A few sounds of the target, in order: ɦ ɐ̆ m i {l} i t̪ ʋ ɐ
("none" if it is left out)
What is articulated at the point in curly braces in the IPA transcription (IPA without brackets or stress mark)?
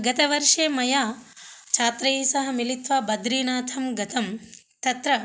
l